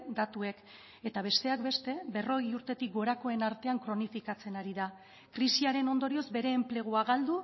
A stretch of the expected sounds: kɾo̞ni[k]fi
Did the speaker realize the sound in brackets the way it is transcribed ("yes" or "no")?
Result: no